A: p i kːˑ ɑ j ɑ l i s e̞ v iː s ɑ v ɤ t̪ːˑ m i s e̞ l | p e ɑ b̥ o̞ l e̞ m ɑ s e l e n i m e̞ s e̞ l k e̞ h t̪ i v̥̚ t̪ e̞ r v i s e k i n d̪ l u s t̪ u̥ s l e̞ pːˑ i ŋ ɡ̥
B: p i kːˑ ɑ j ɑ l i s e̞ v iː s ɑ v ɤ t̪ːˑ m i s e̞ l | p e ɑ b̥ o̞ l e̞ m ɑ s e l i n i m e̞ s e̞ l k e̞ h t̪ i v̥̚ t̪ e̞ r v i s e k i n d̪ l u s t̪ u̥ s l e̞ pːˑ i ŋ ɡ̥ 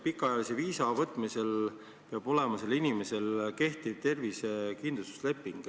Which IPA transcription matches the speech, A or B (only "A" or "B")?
B